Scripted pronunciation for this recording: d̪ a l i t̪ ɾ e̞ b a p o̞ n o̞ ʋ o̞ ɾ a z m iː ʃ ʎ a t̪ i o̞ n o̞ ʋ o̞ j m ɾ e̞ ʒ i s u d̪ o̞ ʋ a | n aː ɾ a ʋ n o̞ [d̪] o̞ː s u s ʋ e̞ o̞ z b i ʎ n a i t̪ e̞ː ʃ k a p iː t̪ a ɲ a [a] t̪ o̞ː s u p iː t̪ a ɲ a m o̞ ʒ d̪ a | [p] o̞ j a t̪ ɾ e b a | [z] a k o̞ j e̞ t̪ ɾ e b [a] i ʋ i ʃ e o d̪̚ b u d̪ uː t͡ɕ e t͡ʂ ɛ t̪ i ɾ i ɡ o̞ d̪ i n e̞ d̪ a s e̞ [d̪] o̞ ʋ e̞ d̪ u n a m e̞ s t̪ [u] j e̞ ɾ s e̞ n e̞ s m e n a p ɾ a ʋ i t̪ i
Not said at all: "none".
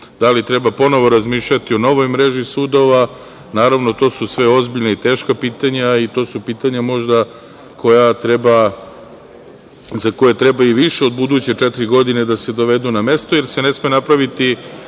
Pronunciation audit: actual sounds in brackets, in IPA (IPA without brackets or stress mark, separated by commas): t̪, i, k, z, a, d̪, o